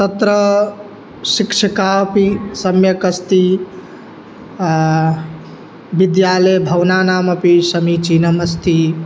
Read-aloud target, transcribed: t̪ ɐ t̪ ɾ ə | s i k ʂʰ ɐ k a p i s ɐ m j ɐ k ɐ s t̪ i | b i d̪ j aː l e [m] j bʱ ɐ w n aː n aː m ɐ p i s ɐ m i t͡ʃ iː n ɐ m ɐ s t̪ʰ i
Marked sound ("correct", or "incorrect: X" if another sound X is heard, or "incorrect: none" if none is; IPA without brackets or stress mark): incorrect: none